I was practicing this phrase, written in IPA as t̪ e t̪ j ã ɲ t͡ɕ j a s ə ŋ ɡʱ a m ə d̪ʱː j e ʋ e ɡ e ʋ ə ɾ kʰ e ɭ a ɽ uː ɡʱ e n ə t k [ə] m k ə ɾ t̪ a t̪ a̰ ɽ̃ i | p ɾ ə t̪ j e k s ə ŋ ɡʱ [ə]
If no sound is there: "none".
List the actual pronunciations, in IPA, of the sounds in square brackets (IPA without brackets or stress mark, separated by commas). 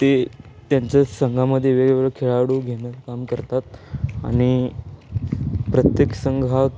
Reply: a, a